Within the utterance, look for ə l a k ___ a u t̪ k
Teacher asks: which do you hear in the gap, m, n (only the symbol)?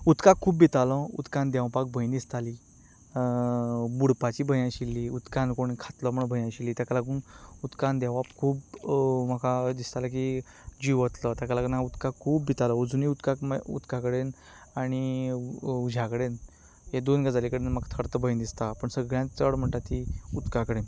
n